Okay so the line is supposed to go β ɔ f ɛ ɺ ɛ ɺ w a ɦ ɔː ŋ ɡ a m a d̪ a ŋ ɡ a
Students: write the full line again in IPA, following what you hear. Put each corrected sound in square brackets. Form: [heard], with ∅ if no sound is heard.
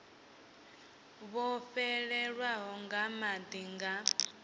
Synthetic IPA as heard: β ɔ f ɛ ɺ ɛ ɺ w a ɦ [ɔ] ŋ ɡ a m a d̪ [i] ŋ ɡ a